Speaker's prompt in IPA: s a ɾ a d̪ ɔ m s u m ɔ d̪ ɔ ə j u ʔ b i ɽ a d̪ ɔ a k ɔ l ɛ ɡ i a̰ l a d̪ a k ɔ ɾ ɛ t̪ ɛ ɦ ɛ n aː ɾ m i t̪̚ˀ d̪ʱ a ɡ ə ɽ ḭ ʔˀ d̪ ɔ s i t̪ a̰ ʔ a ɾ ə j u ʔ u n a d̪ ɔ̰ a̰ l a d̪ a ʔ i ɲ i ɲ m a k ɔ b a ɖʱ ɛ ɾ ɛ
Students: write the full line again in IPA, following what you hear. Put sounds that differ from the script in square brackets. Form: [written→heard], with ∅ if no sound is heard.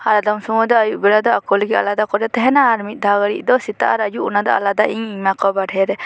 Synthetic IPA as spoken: [s→h] a ɾ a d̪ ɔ m s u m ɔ d̪ ɔ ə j u ʔ b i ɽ a d̪ ɔ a k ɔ l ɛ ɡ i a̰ l a d̪ a k ɔ ɾ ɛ t̪ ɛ ɦ ɛ n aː ɾ m i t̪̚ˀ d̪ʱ a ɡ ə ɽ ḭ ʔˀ d̪ ɔ s i t̪ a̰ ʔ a ɾ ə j u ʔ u n a d̪ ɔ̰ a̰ l a d̪ a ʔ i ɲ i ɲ m a k ɔ b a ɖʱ ɛ ɾ ɛ